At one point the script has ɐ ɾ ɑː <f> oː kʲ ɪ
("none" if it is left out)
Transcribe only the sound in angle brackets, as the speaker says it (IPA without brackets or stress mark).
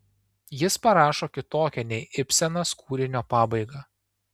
ʃ